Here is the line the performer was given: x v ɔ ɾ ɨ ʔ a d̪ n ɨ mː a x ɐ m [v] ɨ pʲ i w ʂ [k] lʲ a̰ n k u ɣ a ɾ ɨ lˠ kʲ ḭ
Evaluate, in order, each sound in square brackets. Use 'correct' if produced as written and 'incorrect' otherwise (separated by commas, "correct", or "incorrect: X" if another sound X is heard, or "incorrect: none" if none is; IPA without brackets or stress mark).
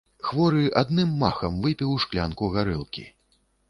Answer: correct, correct